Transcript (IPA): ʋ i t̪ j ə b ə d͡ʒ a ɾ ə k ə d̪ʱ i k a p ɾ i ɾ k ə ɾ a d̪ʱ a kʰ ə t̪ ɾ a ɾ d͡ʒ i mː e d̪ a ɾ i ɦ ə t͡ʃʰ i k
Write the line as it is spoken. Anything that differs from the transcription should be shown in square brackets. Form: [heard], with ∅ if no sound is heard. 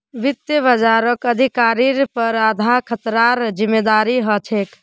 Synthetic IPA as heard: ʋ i t̪ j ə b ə d͡ʒ a ɾ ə k ə d̪ʱ i k a [∅] ɾ i ɾ [p] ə ɾ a d̪ʱ a kʰ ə t̪ ɾ a ɾ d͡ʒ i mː e d̪ a ɾ i ɦ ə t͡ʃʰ [e] k